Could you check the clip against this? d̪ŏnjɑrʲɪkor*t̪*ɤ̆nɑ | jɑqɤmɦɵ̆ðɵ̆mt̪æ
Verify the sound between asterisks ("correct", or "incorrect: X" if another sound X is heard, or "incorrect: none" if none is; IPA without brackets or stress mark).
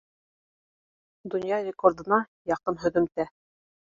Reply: incorrect: d̪